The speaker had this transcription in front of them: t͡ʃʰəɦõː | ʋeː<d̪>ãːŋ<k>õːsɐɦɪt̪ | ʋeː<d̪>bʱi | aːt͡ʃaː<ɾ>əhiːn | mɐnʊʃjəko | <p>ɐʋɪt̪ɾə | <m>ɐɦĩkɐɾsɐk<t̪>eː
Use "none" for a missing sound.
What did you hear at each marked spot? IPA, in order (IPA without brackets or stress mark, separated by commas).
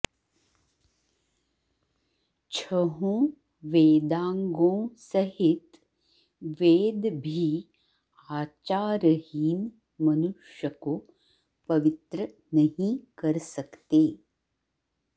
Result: d̪, ɡ, d̪, ɾ, p, n, t̪